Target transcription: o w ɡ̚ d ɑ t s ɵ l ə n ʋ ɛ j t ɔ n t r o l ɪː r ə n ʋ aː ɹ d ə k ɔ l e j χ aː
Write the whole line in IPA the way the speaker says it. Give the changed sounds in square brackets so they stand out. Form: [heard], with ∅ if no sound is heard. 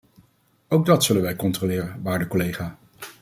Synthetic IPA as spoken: o w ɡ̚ d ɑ t s ɵ l ə n ʋ ɛ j [k] ɔ n t r o l ɪː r ə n ʋ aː ɹ d ə k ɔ l e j χ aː